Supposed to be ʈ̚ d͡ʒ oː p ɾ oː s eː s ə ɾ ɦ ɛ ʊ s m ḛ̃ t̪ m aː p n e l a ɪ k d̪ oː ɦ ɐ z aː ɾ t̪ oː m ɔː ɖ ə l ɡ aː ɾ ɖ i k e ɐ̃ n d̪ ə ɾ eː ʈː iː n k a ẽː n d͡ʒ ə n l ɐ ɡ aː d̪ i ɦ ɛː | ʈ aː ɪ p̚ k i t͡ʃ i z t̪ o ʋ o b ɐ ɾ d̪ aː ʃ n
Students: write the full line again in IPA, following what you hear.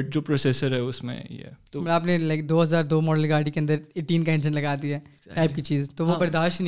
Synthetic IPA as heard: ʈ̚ d͡ʒ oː p ɾ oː s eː s ə ɾ ɦ ɛ ʊ s m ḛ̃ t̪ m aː p n e l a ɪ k d̪ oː ɦ ɐ z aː ɾ d̪ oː m ɔː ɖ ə l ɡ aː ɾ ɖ i k e ɐ̃ n d̪ ə ɾ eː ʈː iː n k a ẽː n d͡ʒ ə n l ɐ ɡ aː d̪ i ɦ ɛː | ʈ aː ɪ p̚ k i t͡ʃ iː z t̪ o ʋ o b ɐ ɾ d̪ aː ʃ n